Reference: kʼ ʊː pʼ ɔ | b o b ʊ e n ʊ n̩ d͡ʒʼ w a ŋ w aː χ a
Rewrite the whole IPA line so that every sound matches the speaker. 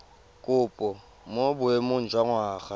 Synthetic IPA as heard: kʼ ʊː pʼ ɔ | m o b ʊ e m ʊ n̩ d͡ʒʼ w a ŋ w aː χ a